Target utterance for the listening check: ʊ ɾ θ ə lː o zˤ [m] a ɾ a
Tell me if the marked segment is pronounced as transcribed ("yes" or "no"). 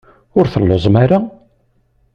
yes